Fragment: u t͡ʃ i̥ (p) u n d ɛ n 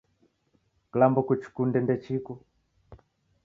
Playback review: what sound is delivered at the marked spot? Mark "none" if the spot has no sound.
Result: k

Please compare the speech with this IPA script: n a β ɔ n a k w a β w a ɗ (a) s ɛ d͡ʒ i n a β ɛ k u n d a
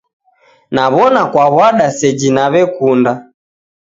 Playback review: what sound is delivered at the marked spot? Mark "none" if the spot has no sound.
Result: a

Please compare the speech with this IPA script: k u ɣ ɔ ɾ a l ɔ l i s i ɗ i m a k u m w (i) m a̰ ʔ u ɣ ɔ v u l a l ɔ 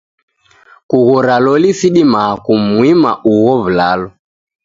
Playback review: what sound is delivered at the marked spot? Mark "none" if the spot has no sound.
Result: i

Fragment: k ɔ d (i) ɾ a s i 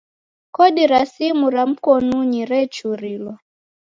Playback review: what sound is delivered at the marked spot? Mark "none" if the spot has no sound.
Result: i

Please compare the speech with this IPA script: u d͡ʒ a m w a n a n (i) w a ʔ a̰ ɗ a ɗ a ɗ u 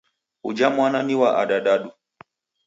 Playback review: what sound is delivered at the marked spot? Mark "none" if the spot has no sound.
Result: i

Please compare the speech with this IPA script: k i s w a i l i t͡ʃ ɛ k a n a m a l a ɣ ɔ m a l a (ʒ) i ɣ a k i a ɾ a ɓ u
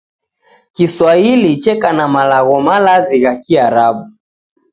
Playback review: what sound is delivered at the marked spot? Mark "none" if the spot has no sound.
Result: z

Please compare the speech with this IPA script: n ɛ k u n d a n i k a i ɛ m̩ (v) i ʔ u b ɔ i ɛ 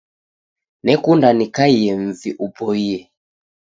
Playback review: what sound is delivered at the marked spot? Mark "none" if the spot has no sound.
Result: v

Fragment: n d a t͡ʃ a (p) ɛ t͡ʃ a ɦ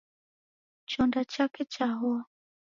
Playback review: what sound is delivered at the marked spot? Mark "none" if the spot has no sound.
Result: k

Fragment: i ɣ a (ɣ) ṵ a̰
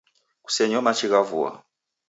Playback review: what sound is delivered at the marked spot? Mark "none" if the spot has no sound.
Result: v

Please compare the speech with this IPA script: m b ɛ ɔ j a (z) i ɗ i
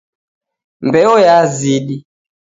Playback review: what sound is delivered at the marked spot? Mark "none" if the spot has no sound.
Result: z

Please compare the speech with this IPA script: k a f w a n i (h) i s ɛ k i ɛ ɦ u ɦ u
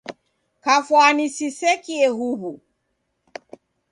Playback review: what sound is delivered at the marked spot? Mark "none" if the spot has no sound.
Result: s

